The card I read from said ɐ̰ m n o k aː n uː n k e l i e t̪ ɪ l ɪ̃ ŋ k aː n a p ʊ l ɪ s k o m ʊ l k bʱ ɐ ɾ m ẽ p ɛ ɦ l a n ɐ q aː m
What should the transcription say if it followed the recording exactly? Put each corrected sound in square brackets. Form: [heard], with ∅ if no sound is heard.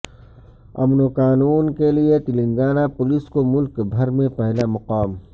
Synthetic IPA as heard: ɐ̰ m n o k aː n uː n k e l i e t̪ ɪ l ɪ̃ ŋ [ɡ] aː n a p ʊ l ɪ s k o m ʊ l k bʱ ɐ ɾ m ẽ p ɛ ɦ l a [m] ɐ q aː m